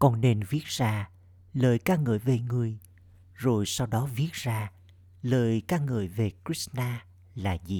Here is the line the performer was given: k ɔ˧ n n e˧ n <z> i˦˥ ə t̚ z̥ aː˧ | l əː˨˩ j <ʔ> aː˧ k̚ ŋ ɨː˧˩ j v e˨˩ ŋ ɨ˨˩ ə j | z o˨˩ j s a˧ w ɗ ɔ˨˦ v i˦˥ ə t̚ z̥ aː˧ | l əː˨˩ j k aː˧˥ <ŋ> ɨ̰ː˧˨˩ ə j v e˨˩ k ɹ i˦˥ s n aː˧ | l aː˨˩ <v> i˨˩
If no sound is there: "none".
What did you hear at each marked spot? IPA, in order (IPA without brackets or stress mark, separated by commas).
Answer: v, k, ŋ, z